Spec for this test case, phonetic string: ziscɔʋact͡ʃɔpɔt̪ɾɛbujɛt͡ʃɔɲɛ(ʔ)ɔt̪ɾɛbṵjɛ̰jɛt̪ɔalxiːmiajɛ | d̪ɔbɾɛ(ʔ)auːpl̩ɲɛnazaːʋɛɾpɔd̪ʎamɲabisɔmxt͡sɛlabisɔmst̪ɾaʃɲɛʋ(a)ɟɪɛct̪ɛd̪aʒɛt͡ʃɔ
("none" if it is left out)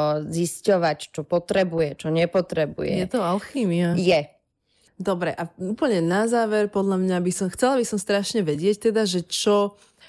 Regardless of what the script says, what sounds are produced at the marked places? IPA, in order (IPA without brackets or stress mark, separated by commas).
p, ʔ, ɛ